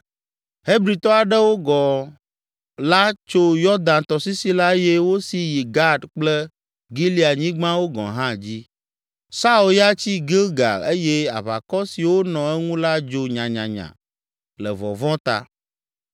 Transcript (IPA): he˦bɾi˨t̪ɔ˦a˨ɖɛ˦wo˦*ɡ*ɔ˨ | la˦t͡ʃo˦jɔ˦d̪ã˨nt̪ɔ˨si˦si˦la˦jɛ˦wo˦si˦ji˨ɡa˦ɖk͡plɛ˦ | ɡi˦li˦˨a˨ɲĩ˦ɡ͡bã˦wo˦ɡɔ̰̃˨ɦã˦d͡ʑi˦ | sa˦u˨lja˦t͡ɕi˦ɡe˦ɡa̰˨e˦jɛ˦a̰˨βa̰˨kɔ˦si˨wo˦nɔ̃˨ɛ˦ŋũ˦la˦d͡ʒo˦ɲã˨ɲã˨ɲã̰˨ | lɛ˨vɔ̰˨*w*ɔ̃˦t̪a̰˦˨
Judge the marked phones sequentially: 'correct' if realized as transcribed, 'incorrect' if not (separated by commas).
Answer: correct, incorrect